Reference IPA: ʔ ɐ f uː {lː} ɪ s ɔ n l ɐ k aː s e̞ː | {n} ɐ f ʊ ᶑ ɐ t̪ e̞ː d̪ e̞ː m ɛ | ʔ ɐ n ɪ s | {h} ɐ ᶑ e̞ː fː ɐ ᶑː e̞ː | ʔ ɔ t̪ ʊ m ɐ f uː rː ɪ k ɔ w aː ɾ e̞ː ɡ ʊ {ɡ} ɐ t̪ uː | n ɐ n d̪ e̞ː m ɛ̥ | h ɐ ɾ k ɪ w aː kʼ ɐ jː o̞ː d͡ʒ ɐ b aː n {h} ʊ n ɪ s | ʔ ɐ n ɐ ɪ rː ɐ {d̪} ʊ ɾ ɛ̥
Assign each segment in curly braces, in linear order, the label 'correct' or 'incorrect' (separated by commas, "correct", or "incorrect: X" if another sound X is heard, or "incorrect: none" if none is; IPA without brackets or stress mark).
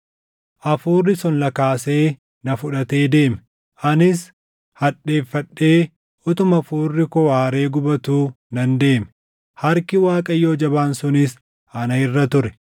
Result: incorrect: rː, correct, correct, incorrect: b, incorrect: s, incorrect: t̪